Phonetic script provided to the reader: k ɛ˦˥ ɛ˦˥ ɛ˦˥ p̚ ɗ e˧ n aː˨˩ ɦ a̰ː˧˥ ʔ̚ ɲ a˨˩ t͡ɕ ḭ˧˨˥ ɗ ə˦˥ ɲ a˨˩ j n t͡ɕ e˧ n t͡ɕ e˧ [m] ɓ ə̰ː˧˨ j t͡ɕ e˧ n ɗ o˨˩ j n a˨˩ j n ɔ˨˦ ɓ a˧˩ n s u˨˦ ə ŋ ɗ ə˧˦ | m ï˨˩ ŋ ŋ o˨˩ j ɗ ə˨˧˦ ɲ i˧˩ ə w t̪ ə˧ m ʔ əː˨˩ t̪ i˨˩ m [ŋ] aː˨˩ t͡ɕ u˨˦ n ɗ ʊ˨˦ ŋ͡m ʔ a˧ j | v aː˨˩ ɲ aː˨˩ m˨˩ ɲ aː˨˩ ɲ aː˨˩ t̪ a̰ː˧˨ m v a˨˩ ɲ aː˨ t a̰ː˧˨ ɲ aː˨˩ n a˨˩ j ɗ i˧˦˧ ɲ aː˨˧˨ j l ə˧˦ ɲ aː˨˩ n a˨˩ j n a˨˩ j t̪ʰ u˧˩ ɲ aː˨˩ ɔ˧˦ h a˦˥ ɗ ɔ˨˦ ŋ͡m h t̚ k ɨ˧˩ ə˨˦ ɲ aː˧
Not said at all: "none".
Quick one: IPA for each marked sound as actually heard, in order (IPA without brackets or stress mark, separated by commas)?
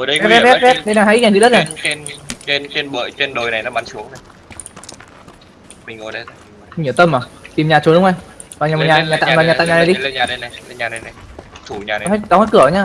n, ɲ